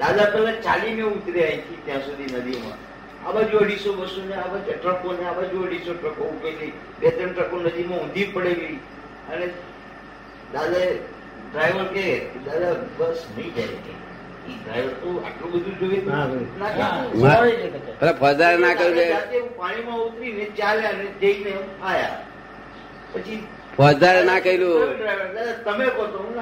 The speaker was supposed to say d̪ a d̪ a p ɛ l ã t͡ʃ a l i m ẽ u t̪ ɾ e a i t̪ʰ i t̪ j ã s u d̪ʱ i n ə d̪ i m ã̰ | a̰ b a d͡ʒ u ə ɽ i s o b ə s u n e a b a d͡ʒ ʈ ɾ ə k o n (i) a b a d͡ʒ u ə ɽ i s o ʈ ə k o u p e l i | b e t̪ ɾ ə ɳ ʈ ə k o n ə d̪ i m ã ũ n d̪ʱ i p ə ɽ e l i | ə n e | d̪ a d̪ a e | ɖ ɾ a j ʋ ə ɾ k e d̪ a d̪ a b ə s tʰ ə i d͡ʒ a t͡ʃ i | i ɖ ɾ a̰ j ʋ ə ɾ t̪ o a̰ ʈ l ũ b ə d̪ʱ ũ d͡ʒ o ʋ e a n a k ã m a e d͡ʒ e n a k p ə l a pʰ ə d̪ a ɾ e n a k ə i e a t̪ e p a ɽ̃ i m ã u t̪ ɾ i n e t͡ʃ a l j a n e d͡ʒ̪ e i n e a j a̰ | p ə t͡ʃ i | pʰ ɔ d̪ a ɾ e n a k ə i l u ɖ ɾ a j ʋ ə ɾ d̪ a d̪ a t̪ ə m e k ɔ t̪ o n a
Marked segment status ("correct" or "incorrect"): incorrect